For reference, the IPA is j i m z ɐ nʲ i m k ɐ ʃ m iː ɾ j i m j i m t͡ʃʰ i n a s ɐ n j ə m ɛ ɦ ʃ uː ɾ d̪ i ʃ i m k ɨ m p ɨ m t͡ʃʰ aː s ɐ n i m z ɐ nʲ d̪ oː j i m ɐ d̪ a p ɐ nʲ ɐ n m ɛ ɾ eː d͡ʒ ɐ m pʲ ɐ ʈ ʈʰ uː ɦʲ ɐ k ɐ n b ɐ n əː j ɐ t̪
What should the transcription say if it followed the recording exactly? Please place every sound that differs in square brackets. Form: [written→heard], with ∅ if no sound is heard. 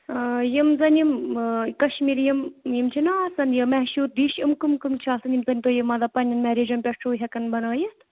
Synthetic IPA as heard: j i m z ɐ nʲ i m k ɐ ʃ m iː ɾ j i m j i m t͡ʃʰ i n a s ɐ n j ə m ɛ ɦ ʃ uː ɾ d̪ i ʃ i m k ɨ m [p→k] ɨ m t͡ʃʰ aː s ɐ n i m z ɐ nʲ [d̪→t̪] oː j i m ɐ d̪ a p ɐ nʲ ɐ n m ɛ ɾ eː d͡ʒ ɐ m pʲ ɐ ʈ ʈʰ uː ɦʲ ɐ k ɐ n b ɐ n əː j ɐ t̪